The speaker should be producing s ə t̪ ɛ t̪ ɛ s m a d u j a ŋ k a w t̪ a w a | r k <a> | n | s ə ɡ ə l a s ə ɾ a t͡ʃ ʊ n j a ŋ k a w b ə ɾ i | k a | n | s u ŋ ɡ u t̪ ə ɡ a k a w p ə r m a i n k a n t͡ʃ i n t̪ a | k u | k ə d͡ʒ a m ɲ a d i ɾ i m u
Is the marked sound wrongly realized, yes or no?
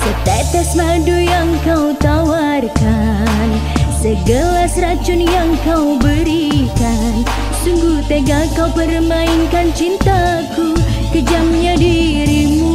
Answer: no